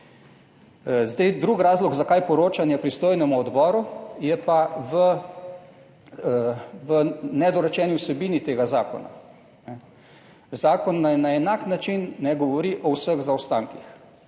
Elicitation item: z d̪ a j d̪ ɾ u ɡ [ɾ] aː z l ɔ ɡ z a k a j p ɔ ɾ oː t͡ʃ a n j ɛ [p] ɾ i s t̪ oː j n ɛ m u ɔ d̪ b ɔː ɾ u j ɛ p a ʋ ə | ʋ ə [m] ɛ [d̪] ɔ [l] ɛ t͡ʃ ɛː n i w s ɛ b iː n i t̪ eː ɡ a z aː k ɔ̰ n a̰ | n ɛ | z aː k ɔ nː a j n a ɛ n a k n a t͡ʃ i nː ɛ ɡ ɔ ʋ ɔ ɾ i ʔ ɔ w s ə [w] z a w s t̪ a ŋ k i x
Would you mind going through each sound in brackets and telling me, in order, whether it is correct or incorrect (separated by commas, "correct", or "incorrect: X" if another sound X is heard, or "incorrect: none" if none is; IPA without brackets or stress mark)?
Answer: correct, correct, incorrect: n, correct, incorrect: ɾ, incorrect: ɣ